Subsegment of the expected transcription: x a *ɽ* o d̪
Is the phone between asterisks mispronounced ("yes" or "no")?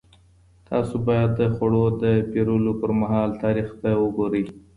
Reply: no